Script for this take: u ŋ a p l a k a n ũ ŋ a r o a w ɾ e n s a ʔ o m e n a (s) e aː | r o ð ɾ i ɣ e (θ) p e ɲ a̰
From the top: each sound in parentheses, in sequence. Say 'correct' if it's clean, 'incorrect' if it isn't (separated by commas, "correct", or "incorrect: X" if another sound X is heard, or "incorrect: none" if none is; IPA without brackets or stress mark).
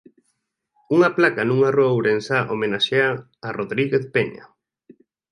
incorrect: ʃ, correct